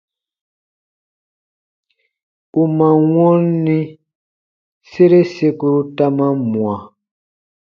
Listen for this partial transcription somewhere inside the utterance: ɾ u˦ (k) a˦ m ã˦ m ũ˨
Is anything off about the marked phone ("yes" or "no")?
yes